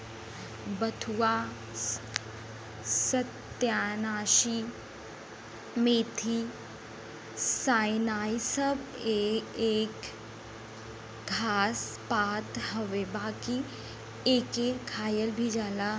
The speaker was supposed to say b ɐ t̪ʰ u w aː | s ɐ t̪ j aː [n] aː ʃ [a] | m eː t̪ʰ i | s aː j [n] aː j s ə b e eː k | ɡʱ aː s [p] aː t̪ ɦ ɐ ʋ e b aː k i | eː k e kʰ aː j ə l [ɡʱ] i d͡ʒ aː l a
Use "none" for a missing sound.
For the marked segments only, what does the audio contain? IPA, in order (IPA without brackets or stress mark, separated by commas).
n, i, n, p, bʱ